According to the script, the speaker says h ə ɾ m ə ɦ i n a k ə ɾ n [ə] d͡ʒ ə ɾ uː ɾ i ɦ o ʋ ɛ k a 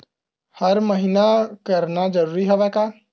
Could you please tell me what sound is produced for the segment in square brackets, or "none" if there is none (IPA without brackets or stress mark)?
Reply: a